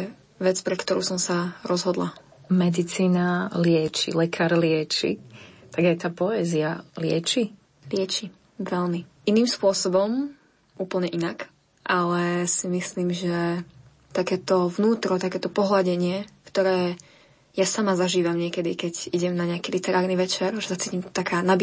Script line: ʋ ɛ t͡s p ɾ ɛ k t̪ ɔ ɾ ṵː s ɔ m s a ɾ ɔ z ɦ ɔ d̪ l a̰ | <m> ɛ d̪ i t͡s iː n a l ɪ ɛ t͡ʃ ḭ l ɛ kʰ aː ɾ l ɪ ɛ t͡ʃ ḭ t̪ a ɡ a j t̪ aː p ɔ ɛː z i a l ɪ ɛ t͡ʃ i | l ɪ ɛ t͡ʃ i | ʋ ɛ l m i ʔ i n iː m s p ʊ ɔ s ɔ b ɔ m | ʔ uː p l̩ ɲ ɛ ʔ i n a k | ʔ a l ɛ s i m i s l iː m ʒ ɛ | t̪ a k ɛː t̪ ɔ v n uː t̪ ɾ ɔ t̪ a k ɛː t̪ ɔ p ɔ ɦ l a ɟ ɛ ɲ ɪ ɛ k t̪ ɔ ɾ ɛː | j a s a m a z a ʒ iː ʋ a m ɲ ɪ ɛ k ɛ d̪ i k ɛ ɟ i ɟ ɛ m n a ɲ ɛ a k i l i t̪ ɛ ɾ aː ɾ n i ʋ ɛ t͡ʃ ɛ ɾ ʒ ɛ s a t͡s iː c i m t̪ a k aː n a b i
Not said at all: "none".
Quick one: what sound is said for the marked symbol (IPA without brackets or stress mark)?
m